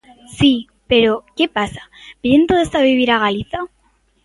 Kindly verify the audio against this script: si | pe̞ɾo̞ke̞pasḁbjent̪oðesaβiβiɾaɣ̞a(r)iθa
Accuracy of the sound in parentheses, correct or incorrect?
incorrect